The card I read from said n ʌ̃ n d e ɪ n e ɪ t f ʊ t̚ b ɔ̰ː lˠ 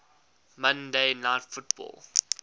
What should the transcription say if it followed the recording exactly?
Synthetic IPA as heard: m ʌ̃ n d e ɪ n a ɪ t f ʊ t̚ b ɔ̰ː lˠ